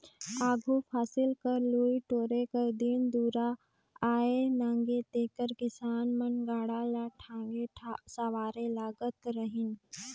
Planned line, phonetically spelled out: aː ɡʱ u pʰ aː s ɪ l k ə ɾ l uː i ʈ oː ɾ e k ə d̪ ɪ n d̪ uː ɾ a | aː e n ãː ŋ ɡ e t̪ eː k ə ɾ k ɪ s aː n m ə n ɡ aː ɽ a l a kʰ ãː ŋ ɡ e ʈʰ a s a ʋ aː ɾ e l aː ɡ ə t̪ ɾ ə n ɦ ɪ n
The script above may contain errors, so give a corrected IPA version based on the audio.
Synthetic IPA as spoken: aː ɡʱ u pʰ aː s ɪ l k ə ɾ l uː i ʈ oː ɾ e k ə d̪ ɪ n d̪ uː ɾ a | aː e n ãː ŋ ɡ e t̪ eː k ə ɾ k ɪ s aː n m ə n ɡ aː ɽ a l a ʈʰ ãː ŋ ɡ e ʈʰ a s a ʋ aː ɾ e l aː ɡ ə t̪ ɾ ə ɦ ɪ n